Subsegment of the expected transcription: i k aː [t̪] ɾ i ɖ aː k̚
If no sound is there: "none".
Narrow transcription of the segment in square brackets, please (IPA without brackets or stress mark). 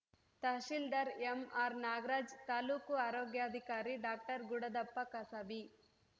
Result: none